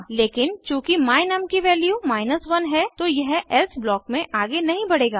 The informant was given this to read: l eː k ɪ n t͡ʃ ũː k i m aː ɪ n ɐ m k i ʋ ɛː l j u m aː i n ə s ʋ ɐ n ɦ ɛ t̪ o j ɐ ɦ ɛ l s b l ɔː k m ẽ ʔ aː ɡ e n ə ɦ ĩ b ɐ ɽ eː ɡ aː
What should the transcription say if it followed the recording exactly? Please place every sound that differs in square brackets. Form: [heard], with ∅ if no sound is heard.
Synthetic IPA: l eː k ɪ n t͡ʃ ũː k i m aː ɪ n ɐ m k i ʋ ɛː l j u m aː [ɪ] n ə s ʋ ɐ n ɦ ɛ t̪ o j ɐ ɦ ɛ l s b l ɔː k m ẽ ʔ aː ɡ e n [ɐ] ɦ ĩ b ɐ ɽ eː ɡ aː